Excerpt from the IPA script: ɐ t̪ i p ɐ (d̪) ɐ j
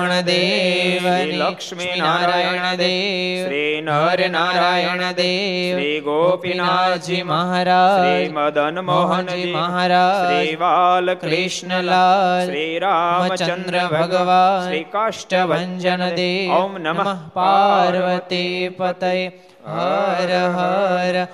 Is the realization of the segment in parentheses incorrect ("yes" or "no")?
yes